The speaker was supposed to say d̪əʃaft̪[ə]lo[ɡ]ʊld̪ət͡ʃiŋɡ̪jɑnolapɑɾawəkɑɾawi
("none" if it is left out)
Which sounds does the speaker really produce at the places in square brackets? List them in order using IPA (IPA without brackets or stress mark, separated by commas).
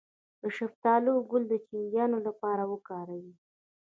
ɑ, ɡ